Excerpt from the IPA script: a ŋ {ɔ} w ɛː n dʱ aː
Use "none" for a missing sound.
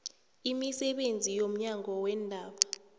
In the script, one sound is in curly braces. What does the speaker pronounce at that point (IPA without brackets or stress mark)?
ɔ